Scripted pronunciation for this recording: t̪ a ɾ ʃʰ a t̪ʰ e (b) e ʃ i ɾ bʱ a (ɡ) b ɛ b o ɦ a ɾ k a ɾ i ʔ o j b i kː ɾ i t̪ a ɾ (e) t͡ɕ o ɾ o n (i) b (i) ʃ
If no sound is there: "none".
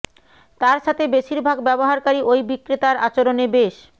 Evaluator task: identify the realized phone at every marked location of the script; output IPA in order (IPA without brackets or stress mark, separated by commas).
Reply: b, ɡ, a, e, e